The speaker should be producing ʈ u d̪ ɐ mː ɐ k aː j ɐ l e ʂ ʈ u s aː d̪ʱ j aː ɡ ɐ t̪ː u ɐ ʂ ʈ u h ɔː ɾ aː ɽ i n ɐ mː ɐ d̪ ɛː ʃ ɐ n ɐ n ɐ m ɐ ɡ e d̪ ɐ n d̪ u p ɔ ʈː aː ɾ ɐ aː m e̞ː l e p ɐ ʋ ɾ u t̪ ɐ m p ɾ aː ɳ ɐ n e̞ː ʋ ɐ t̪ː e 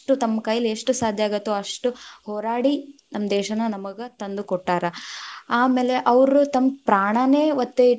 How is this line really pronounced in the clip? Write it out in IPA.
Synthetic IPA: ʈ u t̪ ɐ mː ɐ k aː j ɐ l e ʂ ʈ u s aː d̪ʱ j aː ɡ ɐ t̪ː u ɐ ʂ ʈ u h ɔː ɾ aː ɽ i n ɐ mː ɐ d̪ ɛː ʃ ɐ n ɐ n ɐ m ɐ ɡ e t̪ ɐ n d̪ u k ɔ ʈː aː ɾ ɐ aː m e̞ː l e ʔ ɐ ʋ ɾ u t̪ ɐ m p ɾ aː ɳ ɐ n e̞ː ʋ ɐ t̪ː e